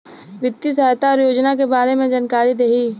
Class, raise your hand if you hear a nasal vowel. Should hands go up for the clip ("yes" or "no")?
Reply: yes